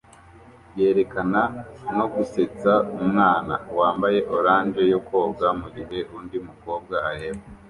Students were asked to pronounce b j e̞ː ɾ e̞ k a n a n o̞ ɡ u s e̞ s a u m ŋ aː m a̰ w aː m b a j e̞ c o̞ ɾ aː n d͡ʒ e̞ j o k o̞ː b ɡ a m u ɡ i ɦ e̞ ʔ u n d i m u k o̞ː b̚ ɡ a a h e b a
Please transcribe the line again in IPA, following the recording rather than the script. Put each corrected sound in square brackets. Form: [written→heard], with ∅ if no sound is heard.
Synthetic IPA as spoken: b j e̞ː ɾ e̞ k a n a n o̞ ɡ u s e̞ [s→t͡s] a u m ŋ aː [m→n] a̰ w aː m b a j e̞ [c→ʔ] o̞ ɾ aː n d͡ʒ e̞ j o k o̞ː b ɡ a m u ɡ i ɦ e̞ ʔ u n d i m u k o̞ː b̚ ɡ a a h e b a